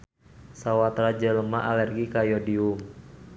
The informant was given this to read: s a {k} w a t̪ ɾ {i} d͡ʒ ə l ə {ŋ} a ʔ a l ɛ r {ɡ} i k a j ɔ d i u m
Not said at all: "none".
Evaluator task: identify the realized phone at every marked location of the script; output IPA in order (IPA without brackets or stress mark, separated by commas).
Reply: none, a, m, ɡ